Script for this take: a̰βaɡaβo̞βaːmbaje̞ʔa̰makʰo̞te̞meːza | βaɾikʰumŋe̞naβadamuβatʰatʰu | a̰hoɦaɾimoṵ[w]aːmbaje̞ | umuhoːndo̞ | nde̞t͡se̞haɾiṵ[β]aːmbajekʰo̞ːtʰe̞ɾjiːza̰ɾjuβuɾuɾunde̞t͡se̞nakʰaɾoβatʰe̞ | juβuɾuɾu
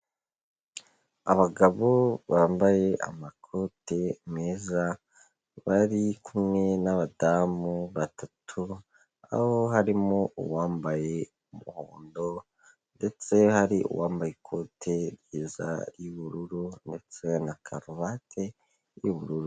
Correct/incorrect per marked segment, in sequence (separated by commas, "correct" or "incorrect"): correct, incorrect